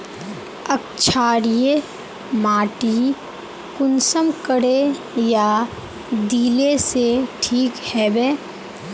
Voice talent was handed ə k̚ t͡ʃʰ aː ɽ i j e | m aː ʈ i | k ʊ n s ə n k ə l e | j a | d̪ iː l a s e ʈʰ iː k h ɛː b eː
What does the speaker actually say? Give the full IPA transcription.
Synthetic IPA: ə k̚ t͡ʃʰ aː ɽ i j e | m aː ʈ i | k ʊ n s ə m k ə ɽ e | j a | d̪ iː l e s e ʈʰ iː k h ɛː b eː